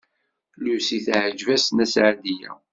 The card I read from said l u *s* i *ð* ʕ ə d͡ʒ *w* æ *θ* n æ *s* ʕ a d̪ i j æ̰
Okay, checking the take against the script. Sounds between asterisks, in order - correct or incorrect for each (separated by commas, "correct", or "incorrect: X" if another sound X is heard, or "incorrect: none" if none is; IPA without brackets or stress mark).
correct, incorrect: θ, incorrect: v, incorrect: s, correct